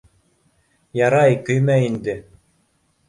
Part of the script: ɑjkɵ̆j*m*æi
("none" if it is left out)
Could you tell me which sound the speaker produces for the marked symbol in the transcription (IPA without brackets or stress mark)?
m